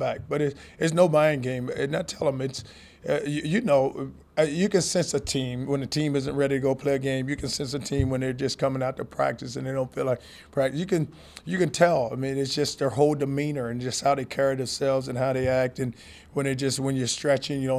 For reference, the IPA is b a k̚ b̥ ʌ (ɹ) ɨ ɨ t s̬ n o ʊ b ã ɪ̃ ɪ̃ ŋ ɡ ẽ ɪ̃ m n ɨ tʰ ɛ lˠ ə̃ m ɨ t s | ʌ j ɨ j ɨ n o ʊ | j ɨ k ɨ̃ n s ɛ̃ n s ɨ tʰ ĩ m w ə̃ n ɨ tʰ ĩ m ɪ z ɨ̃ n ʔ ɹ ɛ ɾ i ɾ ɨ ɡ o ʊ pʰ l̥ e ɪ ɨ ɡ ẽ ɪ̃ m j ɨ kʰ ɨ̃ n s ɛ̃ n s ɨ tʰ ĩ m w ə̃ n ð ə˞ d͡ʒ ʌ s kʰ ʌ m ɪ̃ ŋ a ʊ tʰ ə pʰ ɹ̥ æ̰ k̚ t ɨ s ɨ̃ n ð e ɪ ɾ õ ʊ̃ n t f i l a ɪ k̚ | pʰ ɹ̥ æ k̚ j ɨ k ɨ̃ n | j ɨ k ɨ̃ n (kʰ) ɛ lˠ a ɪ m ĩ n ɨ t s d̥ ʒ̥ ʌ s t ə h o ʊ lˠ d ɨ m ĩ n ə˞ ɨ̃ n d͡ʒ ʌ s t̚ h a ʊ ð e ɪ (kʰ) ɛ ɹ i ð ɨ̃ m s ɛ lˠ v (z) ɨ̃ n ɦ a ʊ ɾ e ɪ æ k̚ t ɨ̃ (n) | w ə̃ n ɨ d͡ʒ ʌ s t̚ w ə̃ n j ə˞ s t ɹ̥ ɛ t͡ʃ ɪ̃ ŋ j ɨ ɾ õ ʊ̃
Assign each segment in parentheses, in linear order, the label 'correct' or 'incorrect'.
incorrect: ɾ, incorrect: tʰ, correct, correct, correct

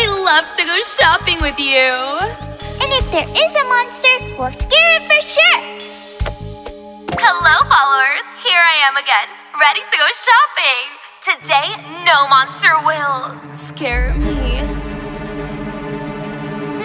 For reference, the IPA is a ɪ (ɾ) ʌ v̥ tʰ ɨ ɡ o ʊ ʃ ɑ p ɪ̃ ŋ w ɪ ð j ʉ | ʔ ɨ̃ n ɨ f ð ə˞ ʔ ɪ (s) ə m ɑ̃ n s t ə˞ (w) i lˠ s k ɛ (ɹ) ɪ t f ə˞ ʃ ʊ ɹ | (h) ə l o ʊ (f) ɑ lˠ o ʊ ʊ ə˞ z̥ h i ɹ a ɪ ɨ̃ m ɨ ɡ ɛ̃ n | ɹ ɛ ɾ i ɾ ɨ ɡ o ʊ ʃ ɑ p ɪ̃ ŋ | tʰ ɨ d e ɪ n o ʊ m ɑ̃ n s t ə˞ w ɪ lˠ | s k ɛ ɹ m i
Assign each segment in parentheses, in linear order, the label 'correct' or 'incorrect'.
incorrect: l, incorrect: z, correct, correct, correct, correct

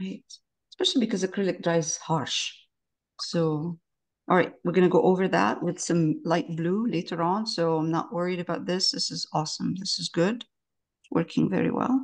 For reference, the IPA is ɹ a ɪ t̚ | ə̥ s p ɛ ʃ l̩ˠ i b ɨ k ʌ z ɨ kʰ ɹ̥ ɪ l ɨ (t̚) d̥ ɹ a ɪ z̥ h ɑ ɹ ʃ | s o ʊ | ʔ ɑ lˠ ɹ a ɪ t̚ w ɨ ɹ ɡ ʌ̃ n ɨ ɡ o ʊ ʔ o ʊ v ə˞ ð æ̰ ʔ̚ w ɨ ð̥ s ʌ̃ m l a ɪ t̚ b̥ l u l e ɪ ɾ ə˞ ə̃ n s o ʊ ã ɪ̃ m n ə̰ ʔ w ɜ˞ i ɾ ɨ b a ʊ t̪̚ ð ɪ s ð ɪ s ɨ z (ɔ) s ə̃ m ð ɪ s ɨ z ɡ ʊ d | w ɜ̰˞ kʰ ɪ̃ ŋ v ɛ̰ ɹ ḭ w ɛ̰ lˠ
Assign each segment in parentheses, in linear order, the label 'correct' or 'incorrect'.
incorrect: k̚, correct

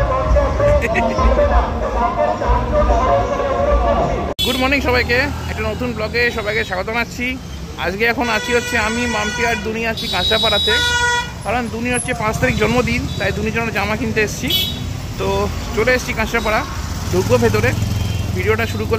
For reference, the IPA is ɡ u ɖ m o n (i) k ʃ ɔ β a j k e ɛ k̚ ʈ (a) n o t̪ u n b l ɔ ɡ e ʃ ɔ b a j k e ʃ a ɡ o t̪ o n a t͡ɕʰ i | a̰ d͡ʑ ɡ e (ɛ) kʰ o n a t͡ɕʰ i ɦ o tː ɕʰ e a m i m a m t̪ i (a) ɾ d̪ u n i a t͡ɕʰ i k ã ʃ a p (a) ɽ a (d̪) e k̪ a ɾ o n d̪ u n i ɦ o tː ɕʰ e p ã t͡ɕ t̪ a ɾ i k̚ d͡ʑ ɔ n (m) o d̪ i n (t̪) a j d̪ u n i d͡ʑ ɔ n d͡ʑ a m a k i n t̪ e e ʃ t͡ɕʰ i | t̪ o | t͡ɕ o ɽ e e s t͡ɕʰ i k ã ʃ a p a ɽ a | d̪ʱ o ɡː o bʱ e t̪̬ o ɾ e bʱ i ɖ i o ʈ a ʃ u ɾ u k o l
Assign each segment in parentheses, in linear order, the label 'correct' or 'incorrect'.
correct, correct, correct, correct, correct, incorrect: t̪, correct, correct

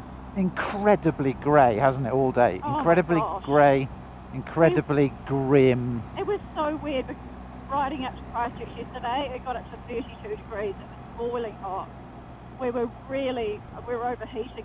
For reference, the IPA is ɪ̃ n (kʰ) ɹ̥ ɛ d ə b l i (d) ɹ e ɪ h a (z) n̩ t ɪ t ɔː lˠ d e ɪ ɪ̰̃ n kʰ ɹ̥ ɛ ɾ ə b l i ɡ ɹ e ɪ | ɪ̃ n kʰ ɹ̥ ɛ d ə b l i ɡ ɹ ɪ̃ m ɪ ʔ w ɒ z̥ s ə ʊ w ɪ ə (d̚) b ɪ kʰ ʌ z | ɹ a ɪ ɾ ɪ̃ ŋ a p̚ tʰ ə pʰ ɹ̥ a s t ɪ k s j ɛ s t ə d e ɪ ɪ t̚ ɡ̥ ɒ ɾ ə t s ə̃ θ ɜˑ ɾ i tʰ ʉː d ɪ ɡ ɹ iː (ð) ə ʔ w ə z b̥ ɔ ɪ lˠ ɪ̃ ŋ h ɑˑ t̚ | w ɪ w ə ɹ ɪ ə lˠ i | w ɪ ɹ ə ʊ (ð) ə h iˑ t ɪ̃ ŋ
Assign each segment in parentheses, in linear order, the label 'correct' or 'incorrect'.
correct, incorrect: ɡ, correct, correct, incorrect: z, incorrect: v

